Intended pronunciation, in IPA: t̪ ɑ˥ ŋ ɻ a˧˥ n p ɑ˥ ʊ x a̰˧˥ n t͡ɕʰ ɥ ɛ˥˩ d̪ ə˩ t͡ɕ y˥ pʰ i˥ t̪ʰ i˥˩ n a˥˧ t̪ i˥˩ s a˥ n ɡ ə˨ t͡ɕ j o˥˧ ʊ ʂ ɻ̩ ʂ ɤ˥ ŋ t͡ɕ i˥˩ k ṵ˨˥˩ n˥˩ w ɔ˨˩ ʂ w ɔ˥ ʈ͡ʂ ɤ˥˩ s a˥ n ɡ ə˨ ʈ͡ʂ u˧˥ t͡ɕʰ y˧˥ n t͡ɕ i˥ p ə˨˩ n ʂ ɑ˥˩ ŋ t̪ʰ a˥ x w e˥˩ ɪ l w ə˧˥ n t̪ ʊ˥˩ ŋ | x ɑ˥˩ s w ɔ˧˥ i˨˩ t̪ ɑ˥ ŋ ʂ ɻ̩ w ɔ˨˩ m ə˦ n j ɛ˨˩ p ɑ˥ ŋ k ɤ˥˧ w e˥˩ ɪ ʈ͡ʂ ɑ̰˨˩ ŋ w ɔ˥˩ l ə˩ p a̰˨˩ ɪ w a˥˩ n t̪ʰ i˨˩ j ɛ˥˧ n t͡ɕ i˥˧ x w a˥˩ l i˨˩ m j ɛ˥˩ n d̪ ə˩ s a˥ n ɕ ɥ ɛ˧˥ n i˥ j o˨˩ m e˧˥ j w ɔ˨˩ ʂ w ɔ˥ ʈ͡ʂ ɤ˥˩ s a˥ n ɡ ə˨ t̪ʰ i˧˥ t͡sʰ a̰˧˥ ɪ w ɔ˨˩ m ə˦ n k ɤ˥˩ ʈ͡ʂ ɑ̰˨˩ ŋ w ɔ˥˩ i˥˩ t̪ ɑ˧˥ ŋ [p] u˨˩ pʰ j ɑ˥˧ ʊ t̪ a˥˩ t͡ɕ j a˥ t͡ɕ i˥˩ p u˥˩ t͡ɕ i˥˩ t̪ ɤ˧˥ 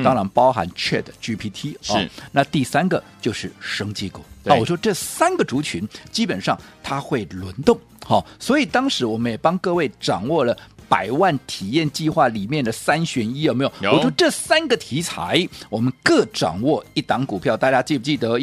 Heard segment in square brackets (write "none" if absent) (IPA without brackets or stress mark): k